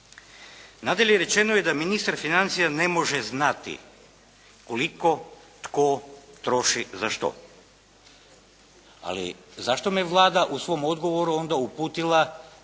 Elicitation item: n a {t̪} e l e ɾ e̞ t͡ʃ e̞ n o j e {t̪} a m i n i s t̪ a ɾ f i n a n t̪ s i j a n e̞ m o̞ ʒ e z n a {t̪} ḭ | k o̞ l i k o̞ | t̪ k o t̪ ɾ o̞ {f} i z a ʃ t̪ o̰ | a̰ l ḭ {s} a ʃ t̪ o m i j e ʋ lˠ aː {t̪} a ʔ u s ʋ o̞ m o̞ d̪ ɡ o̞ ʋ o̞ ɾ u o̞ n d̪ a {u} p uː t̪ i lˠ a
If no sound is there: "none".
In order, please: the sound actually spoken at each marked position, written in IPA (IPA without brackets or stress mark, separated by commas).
d̪, d̪, t̪, ʃ, z, d̪, u